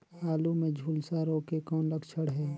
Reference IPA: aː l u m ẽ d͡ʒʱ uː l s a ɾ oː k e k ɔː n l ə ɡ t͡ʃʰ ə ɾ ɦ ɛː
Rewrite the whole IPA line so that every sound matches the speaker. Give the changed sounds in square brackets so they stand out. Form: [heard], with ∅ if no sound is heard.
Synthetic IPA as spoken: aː l u m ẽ d͡ʒʱ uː l s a ɾ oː k e k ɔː n l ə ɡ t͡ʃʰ ə [ɽ] ɦ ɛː